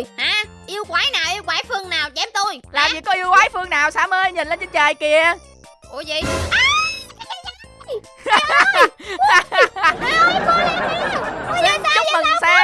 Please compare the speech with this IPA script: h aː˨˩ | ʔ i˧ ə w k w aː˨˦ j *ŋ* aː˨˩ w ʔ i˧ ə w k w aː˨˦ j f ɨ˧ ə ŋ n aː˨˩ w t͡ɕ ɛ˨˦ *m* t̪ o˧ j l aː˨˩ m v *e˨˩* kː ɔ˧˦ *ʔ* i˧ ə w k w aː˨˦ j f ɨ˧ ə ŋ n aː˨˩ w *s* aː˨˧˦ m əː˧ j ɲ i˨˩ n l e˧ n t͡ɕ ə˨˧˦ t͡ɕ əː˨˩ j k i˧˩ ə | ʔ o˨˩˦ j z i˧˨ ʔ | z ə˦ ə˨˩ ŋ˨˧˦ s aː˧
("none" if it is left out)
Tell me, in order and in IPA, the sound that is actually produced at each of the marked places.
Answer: n, m, i˨˩, ʔ, s

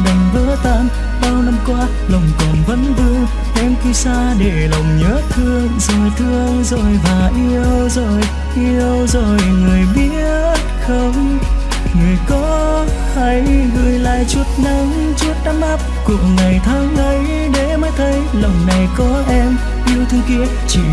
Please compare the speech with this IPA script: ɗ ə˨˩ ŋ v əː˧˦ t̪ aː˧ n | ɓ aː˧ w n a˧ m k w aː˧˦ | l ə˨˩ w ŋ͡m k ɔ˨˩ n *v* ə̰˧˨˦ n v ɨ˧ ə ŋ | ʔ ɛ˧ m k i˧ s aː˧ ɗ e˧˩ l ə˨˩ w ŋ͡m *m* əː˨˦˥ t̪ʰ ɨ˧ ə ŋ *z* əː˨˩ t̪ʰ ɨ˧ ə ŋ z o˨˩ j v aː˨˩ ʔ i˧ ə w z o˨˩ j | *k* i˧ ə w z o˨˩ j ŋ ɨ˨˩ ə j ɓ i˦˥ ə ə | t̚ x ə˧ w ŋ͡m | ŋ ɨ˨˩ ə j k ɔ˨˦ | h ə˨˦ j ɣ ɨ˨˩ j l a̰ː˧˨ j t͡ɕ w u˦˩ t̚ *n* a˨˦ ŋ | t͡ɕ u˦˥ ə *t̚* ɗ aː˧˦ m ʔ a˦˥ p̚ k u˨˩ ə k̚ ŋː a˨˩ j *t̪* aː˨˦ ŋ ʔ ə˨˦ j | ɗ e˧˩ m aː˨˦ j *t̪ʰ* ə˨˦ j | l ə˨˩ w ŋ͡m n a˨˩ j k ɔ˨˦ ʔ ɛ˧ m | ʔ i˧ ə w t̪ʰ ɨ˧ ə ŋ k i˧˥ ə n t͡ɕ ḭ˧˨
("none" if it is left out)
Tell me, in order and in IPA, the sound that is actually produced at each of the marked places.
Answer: v, ɲ, z, ʔ, n, t̚, t̪ʰ, t̪ʰ

